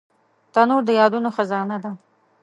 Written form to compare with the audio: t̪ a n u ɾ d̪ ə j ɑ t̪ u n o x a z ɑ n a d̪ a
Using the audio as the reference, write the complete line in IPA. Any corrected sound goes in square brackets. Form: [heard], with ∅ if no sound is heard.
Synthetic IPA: t̪ a n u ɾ d̪ ə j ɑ [d̪] u n o x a z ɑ n a d̪ a